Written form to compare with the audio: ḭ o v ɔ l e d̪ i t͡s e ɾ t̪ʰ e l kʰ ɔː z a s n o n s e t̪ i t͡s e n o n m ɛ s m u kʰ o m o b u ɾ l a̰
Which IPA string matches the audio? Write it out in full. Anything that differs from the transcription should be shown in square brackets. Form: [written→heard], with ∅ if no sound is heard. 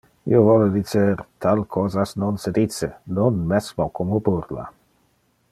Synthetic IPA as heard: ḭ o v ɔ l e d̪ i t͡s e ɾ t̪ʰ [e→a] l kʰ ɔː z a s n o n s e [t̪→d̪] i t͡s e n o n m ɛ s m [u→o] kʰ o m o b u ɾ l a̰